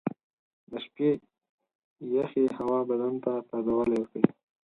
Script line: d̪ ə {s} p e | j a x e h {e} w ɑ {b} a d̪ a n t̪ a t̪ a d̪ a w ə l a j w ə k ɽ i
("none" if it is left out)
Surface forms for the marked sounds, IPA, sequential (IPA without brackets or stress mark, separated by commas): ʃ, a, b